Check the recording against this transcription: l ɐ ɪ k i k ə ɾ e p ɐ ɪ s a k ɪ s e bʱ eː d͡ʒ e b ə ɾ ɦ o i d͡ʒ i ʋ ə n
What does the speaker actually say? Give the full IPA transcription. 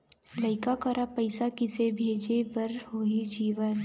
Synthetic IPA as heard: l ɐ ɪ k a k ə ɾ a p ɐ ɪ s a k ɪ s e bʱ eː d͡ʒ e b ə ɾ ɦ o i d͡ʒ iː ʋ ə n